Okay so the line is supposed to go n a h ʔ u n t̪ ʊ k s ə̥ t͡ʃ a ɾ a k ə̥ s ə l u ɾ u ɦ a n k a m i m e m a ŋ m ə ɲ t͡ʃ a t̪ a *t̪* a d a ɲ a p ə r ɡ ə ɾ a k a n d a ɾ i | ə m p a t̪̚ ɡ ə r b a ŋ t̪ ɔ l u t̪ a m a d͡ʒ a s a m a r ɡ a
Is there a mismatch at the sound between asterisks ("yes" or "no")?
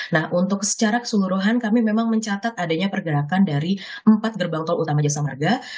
no